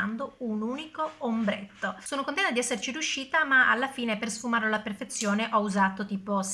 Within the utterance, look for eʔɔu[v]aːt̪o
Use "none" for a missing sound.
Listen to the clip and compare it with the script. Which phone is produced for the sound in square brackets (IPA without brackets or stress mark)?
z